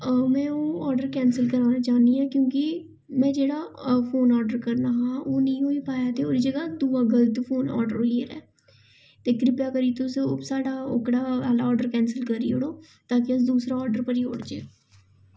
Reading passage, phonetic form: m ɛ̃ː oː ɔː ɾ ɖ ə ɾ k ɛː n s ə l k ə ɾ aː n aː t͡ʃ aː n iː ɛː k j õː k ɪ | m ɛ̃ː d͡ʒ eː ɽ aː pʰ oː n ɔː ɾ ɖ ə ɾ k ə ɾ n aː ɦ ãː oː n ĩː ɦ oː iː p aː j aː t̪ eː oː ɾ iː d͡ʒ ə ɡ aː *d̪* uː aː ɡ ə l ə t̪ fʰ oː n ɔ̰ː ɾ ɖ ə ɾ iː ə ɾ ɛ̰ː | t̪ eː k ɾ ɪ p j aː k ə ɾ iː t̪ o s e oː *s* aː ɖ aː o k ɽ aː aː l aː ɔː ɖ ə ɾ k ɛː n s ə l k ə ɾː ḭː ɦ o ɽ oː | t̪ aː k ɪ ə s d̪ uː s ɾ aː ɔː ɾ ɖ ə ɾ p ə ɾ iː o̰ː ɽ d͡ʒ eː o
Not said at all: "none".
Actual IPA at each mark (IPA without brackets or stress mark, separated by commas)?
d̪, s